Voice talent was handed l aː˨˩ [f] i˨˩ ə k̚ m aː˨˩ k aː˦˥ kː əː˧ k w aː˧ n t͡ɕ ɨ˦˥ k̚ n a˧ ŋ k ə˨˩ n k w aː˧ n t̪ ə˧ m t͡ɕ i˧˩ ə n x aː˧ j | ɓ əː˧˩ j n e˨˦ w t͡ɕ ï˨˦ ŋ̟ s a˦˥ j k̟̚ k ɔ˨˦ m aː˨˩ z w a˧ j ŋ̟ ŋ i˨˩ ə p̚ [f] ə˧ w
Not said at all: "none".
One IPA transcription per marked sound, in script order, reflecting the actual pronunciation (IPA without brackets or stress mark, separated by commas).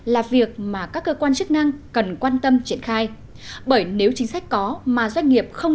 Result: v, x